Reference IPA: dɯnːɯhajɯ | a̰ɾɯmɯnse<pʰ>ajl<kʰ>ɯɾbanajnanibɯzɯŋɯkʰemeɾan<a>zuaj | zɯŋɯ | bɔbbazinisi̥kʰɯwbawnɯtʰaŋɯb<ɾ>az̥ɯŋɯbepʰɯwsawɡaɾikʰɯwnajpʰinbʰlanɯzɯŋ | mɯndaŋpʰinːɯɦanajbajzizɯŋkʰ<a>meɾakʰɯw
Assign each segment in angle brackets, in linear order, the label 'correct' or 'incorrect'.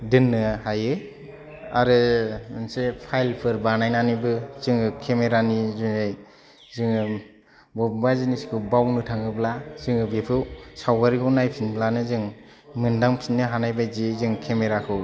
correct, incorrect, incorrect, incorrect, incorrect

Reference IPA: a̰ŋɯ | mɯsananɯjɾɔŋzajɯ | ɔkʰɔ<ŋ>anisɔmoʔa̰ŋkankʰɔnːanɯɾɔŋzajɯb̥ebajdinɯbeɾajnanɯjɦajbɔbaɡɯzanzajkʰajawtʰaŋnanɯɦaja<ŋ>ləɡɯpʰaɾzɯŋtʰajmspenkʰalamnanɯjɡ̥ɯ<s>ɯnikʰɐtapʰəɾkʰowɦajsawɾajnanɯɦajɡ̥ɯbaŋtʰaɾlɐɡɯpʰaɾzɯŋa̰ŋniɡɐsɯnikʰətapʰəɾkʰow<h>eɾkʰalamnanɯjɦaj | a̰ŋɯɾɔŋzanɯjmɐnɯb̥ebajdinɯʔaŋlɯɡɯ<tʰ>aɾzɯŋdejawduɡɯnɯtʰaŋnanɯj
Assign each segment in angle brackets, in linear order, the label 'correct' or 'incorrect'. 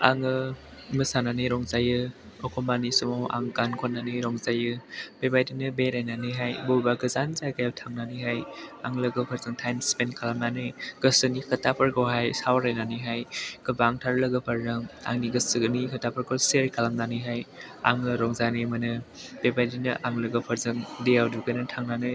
incorrect, correct, correct, incorrect, incorrect

